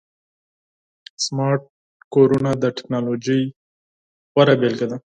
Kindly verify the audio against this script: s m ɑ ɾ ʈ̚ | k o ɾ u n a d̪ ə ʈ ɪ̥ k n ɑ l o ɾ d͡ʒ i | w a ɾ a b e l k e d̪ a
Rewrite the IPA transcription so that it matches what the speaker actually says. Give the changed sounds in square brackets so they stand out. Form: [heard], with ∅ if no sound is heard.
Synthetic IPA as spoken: s m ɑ ɾ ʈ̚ | k o ɾ u n a d̪ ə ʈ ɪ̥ k n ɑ l o [∅] d͡ʒ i | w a ɾ a b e l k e d̪ a

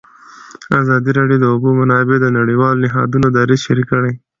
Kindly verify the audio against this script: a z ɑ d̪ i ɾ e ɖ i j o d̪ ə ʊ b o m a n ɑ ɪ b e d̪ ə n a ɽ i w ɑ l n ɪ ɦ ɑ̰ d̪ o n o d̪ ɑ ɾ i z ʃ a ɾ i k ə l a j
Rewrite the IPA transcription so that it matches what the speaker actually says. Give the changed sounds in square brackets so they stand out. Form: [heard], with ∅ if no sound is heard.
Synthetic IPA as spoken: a z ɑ d̪ i ɾ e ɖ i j o d̪ ə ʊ b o m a n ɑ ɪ b e d̪ ə n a ɽ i w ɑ l n ɪ ɦ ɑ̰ d̪ [u] n o d̪ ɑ ɾ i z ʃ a ɾ i k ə [ɽ] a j

